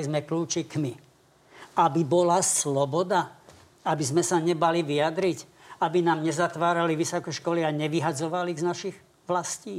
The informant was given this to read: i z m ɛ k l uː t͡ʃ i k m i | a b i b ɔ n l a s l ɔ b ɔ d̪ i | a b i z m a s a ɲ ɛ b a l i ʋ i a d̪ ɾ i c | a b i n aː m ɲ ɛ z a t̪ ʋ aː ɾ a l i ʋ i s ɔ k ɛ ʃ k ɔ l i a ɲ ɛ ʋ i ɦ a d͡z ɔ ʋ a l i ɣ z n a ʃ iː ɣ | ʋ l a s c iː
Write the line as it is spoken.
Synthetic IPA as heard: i z m ɛ k l uː t͡ʃ i k m i | a b i b ɔ l a s l ɔ b ɔ d̪ a | a b i z m ɛ s a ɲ ɛ b a l i ʋ i a d̪ ɾ i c | a b i n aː m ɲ ɛ z a t̪ ʋ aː ɾ a l i ʋ i s ɔ k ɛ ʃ k ɔ l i a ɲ ɛ ʋ i ɦ a d͡z ɔ ʋ a l i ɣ z n a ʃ i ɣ | ʋ l a s c iː